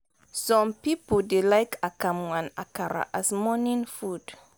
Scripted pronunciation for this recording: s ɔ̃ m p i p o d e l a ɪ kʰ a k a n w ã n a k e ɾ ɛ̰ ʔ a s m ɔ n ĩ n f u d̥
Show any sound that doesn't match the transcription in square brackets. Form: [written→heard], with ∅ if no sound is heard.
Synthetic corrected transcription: s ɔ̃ m p i p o d e l a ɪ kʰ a k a [n→m] w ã n a k [e→a] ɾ [ɛ̰→a̰] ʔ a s m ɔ n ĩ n f u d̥